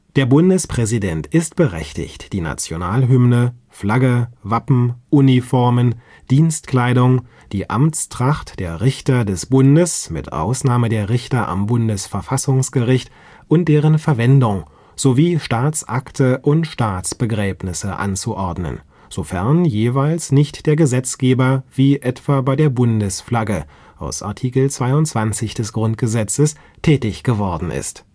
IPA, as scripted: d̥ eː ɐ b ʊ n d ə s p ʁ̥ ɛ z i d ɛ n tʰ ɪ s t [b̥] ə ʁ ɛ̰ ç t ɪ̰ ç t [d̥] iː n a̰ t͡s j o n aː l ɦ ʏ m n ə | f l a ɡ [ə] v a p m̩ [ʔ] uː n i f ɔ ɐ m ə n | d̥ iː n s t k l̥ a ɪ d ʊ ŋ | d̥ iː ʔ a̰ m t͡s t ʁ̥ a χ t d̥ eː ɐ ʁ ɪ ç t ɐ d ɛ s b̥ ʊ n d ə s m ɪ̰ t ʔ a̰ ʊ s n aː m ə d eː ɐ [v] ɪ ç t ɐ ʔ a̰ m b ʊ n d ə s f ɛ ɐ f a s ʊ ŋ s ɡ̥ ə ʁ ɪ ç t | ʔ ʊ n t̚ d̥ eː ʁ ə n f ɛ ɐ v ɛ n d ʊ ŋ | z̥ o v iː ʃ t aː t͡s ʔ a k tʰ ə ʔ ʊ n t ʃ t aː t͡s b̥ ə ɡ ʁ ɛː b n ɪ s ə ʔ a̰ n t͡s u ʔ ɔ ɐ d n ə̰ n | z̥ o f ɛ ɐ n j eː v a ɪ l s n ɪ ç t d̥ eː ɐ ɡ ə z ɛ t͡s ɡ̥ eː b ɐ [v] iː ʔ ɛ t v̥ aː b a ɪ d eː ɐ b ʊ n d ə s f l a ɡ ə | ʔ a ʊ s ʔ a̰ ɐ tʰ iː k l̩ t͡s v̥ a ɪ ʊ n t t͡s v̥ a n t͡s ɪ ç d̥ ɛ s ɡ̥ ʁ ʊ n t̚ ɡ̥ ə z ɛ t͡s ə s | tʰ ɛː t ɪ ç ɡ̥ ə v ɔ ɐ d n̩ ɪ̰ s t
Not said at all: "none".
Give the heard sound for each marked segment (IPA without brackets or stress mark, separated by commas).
b̥, d̥, ə, ʔ, ʁ, v